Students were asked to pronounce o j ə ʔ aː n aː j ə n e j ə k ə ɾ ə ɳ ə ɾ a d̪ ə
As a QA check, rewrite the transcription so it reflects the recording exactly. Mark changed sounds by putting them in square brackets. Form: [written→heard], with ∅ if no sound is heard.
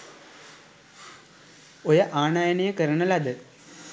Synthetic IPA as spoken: o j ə ʔ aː n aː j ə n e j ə k ə ɾ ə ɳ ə [ɾ→l] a d̪ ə